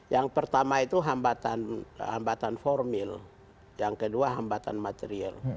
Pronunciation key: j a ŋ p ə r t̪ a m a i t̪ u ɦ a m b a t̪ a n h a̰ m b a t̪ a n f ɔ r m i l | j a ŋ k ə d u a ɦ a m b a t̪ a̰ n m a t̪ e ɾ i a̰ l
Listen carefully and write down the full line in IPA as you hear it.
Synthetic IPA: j a ŋ p ə r t̪ a m a i t̪ u ɦ a m b a t̪ a n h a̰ m b a t̪ a n f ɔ r m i l | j a ŋ k ə d u a ɦ a m b a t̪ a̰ n m a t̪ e ɾ i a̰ l